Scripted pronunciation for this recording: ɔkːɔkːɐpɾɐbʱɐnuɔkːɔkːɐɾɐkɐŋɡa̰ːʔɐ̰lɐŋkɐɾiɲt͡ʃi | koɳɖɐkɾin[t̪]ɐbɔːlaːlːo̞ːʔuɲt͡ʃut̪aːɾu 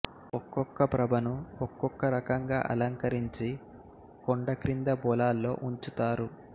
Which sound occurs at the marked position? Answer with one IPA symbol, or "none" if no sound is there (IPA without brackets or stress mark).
d̪